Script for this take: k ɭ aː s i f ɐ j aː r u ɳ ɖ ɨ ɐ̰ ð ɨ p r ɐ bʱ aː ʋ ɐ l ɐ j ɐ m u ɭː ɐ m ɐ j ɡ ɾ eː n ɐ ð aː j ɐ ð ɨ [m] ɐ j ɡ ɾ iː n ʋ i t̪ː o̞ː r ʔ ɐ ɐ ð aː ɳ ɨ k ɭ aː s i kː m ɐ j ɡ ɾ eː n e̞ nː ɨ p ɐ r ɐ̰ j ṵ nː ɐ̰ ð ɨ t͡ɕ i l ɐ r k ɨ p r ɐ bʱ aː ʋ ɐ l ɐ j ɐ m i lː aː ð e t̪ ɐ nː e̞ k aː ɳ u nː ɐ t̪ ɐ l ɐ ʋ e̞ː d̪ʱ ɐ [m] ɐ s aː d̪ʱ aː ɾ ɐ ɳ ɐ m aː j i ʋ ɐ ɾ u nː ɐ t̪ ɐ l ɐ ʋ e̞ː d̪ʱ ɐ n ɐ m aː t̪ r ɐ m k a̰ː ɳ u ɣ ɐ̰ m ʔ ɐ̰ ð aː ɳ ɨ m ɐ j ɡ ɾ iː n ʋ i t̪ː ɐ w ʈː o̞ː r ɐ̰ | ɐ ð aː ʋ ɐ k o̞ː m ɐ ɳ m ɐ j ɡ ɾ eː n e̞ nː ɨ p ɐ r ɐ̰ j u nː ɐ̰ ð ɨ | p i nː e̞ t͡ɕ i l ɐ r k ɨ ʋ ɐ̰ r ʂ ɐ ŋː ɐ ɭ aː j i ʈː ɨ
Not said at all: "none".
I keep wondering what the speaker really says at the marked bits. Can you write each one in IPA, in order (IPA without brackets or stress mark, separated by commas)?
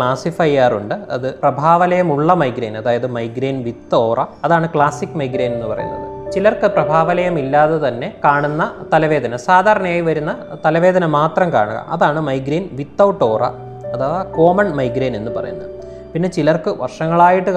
m, n